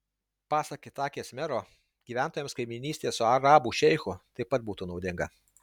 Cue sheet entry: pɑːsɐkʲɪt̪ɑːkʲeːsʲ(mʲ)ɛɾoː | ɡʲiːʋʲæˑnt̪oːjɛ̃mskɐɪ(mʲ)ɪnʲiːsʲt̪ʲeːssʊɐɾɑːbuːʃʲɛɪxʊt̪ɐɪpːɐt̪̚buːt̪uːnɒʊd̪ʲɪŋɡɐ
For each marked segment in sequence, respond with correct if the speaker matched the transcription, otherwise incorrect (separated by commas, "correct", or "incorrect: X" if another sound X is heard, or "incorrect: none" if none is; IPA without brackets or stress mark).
correct, correct